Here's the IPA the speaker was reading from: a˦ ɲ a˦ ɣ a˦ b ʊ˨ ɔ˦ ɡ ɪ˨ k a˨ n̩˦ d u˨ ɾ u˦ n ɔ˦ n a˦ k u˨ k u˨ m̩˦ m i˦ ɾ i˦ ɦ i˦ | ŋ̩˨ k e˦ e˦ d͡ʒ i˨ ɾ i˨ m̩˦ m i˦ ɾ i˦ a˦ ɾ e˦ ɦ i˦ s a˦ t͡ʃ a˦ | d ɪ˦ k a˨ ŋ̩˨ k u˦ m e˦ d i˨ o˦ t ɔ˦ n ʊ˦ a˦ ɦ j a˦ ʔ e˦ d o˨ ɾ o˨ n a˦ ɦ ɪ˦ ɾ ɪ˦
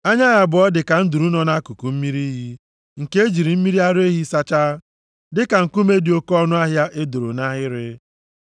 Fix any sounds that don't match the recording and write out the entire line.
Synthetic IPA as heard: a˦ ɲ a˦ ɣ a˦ b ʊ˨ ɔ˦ d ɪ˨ k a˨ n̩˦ d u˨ ɾ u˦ n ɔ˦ n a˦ k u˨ k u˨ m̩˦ m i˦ ɾ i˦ ɦ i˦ | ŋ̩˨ k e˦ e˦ d͡ʒ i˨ ɾ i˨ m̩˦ m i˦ ɾ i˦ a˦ ɾ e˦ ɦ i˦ s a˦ t͡ʃ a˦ | d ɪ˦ k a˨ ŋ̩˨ k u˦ m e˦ d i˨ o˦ k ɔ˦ n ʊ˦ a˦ ɦ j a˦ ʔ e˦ d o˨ ɾ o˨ n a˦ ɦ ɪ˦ ɾ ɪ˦

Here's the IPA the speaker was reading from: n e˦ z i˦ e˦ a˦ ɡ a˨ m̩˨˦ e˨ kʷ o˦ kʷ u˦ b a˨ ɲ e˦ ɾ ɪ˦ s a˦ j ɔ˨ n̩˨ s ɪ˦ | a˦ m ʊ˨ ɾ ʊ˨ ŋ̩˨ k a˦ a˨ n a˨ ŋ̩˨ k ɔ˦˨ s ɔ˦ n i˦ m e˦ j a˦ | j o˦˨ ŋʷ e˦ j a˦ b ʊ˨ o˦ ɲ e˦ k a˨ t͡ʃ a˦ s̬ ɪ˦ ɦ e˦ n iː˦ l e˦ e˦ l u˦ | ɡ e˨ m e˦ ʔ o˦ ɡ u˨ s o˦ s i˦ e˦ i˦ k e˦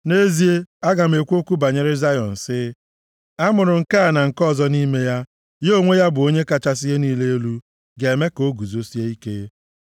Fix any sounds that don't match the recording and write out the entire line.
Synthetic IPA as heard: n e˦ z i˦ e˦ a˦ ɡ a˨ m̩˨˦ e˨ kʷ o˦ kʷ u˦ b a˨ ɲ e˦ ɾ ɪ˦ z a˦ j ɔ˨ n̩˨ s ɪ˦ | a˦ m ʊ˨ ɾ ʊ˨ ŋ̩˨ k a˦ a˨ n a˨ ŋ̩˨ k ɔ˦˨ z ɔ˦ n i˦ m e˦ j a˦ | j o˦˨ ŋʷ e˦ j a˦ b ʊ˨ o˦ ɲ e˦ k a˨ t͡ʃ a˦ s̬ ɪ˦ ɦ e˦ n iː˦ l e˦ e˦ l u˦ | ɡ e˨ m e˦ k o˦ ɡ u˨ z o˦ s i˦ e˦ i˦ k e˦

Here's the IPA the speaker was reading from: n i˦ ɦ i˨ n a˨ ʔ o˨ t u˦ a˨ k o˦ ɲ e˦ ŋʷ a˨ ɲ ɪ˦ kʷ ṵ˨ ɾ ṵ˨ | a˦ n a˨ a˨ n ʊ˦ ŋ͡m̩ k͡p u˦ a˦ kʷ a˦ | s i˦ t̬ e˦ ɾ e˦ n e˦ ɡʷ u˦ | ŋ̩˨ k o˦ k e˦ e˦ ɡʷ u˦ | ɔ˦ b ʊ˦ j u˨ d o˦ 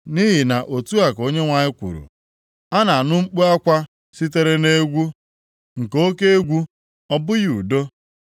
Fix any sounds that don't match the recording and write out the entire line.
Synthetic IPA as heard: n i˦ ɦ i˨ n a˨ ʔ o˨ t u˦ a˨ k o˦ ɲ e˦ ŋʷ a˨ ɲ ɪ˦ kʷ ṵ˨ ɾ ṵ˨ | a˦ n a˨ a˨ n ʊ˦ ŋ͡m̩ k͡p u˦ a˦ kʷ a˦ | s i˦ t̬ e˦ ɾ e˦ n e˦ ɡʷ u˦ | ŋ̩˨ k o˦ k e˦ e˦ ɡʷ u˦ | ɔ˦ b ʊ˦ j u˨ d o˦

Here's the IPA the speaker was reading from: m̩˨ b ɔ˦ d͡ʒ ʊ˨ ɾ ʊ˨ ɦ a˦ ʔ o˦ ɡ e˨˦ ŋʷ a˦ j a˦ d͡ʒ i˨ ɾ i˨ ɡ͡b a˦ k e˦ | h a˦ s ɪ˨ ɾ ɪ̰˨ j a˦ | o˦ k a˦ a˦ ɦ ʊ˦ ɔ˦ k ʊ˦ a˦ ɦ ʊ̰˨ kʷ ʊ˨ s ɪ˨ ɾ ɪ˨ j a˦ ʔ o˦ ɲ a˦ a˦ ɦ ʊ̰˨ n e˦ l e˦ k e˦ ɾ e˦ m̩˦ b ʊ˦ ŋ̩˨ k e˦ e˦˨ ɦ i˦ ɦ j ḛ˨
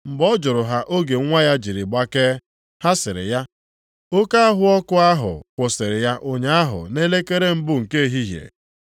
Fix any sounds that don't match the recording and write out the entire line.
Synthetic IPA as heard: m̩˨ b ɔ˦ d͡ʒ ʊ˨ ɾ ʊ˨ ɦ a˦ ʔ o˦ ɡ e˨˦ ŋʷ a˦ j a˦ d͡ʒ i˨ ɾ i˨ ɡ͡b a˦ k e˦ | h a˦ s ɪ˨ ɾ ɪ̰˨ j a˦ | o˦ k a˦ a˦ ɦ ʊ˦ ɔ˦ k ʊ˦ a˦ ɦ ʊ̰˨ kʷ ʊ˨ s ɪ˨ ɾ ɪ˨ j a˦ ʔ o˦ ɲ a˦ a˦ ɦ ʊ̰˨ n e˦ l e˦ k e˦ ɾ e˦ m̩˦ b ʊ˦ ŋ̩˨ k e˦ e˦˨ ɦ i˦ ɦ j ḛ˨

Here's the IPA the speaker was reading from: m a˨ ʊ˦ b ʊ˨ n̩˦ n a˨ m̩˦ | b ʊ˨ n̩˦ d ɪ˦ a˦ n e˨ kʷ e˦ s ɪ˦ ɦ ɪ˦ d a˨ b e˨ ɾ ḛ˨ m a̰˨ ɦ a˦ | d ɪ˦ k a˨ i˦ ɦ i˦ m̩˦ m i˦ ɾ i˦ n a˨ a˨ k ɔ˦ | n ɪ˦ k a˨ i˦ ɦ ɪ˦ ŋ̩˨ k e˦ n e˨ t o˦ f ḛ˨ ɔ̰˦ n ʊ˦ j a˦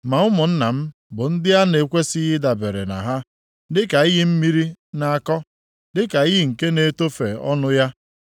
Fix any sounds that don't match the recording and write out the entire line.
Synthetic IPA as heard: m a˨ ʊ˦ m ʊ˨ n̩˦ n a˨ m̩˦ | b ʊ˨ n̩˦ d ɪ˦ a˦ n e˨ kʷ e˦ s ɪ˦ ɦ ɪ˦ d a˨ b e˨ ɾ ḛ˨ n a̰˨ ɦ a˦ | d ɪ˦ k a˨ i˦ ɦ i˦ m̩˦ m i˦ ɾ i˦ n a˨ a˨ k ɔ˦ | d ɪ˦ k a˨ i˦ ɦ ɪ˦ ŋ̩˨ k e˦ n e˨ t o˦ f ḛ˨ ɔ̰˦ n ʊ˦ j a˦

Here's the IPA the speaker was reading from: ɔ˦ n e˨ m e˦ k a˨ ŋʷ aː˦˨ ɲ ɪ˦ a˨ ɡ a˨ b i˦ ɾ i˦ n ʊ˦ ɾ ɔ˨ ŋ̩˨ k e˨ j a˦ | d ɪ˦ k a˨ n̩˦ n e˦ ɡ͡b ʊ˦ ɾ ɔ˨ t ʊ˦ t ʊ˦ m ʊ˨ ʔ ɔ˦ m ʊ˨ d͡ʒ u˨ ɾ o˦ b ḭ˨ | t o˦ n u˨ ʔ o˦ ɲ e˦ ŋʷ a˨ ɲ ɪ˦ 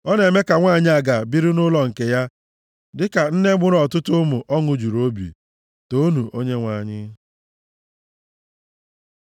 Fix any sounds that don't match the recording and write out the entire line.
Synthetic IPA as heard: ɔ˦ n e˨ m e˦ k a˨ ŋʷ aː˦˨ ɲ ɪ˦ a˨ ɡ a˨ b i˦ ɾ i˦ n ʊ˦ l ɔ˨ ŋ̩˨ k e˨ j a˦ | d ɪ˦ k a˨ n̩˦ n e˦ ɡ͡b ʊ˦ ɾ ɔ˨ t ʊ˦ t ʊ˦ m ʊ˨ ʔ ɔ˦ ŋ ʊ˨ d͡ʒ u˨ ɾ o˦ b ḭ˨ | t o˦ n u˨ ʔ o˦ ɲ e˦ ŋʷ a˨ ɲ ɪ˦

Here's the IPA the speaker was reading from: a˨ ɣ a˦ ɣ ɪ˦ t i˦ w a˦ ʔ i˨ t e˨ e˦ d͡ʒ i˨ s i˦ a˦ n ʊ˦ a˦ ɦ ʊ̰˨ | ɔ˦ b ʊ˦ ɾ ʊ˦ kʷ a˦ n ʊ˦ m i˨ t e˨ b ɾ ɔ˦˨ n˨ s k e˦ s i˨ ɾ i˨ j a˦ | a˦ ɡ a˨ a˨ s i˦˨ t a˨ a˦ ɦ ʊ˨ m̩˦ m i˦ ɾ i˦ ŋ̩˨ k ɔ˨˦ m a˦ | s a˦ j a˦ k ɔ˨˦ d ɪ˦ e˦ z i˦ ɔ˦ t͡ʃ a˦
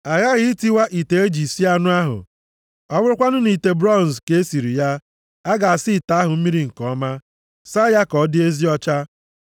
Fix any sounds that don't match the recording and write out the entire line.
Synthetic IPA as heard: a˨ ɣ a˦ ɣ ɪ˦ t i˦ w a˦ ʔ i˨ t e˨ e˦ d͡ʒ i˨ s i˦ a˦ n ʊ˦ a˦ ɦ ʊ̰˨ | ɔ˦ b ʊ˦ ɾ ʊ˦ kʷ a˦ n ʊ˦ n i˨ t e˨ b ɾ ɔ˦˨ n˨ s k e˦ s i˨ ɾ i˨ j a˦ | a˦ ɡ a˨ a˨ s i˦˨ t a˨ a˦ ɦ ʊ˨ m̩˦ m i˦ ɾ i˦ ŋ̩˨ k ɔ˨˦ m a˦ | s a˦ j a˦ k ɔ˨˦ d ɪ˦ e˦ z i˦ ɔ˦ t͡ʃ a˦

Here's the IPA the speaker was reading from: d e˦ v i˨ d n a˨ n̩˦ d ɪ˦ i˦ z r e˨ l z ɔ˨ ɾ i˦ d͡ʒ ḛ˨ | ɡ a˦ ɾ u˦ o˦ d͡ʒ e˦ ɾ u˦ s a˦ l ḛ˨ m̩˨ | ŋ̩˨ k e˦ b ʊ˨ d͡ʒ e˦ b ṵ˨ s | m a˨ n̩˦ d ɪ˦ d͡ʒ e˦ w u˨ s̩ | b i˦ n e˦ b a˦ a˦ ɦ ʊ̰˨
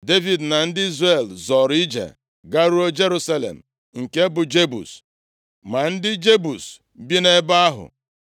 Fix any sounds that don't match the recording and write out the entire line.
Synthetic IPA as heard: d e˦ v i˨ d n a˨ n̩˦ d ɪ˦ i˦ z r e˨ l z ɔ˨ ɾ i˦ d͡ʒ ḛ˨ | ɡ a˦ ɾ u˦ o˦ d͡ʒ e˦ ɾ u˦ s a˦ l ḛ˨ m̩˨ | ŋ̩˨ k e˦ b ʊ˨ d͡ʒ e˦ b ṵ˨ s | m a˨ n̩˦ d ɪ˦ d͡ʒ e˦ b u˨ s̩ | b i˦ n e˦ b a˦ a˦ ɦ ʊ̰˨

